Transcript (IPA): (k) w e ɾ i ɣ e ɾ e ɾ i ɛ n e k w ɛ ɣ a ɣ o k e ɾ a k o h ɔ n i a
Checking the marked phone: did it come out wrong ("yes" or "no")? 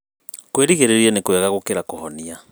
no